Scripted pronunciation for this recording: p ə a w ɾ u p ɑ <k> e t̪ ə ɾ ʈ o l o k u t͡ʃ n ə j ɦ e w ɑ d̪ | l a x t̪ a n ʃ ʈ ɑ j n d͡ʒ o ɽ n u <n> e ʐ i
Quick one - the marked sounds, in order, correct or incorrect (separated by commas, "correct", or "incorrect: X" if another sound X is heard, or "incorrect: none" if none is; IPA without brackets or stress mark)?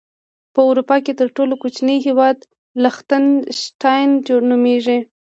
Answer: correct, incorrect: m